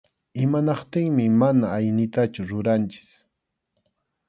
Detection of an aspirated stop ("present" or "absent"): absent